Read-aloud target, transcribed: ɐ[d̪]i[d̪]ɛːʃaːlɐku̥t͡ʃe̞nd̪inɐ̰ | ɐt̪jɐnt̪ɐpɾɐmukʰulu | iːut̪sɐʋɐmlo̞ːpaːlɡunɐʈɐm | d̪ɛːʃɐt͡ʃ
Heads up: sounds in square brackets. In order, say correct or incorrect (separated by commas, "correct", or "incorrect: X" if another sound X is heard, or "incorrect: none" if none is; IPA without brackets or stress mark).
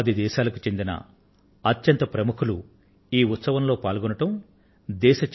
correct, correct